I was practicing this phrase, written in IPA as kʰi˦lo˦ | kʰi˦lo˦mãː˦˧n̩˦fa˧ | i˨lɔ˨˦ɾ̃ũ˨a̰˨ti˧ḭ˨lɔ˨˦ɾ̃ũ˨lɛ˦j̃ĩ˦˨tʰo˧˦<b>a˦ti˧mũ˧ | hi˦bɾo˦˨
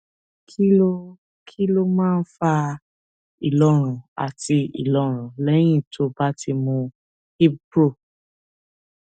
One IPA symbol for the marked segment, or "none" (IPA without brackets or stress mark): b